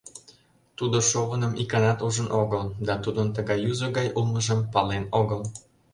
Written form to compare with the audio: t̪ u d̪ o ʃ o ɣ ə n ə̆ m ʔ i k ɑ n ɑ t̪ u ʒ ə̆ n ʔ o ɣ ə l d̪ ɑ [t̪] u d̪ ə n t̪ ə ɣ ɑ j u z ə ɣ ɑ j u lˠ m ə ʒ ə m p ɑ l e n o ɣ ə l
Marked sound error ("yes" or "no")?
no